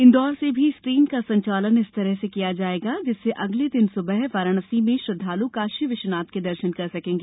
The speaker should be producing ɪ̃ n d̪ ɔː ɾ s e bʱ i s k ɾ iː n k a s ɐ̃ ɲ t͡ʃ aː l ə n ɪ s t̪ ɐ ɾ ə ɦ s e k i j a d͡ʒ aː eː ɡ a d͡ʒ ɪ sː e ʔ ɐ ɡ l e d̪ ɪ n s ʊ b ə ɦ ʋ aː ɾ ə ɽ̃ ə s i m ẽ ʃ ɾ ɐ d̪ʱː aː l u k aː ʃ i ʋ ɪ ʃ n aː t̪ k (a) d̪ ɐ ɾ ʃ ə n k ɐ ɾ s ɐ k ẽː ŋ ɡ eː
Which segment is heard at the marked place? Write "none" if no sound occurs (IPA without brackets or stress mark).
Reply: e